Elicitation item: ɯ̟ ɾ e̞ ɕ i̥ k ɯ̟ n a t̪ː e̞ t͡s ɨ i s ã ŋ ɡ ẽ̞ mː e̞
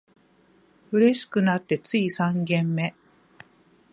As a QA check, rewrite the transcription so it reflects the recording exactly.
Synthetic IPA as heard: ɯ̟ ɾ e̞ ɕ i̥ k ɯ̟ n a t̪ː e̞ t͡s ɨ i s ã ŋ ɡ ẽ̞ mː e̞